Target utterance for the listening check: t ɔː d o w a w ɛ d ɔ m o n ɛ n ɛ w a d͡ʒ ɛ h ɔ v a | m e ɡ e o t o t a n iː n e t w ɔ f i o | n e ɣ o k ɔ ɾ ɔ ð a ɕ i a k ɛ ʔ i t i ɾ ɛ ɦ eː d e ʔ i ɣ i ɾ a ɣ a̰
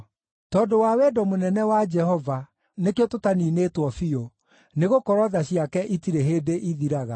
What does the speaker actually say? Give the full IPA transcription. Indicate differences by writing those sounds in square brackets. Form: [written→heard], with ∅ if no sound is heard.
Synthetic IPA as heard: t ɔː d o w a w ɛ d ɔ m o n ɛ n ɛ w a d͡ʒ ɛ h ɔ v a | [m→n] e [ɡ→k] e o t o t a n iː n e t w ɔ f i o | n e ɣ o k ɔ ɾ ɔ ð a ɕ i a k ɛ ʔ i t i ɾ [ɛ→e] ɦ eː d e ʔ i [ɣ→ð] i ɾ a ɣ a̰

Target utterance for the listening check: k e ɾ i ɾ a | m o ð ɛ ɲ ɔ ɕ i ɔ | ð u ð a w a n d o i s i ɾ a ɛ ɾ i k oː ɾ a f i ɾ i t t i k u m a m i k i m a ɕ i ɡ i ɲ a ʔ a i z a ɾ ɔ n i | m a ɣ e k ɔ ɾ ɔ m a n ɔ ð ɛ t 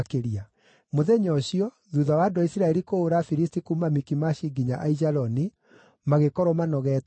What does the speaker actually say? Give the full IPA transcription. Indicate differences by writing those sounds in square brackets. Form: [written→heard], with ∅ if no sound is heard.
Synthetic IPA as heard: k e ɾ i [ɾ→∅] a | m o ð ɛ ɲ ɔ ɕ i ɔ | ð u ð a w a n d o i s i ɾ a ɛ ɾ i k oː ɾ a f i ɾ i [t→s] t i k u m a m i k i m a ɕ i ɡ i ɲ a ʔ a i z a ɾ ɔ n i | m a ɣ e k ɔ ɾ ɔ m a n ɔ [ð→ɣ] ɛ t

